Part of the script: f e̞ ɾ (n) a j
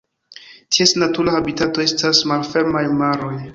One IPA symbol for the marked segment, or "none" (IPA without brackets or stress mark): m